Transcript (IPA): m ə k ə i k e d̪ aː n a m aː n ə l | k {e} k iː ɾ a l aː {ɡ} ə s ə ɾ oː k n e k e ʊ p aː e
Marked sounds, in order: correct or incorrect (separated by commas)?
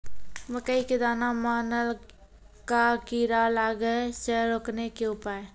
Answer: incorrect, correct